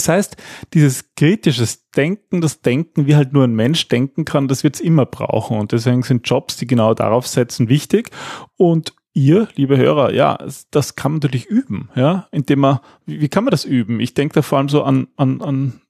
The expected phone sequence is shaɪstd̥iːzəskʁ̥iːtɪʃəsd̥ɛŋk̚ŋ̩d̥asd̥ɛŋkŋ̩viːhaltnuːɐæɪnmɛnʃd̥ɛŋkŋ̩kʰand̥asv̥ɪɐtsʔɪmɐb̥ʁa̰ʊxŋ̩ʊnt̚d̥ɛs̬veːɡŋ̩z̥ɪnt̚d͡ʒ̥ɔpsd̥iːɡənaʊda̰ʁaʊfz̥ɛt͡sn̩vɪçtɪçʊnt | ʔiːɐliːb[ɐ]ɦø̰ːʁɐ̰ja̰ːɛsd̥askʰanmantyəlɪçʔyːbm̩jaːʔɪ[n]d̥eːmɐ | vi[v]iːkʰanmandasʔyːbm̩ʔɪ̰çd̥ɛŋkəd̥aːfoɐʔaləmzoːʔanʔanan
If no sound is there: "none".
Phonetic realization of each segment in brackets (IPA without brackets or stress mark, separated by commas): ə, n, v